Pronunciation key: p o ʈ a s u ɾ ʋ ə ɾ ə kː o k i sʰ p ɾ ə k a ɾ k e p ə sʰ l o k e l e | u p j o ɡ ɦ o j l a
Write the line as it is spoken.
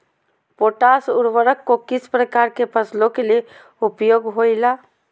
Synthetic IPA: p o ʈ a s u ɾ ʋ ə ɾ ə kː o k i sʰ p ɾ ə k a ɾ k e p ə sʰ l o k e l e | u p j o ɡ ɦ o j l a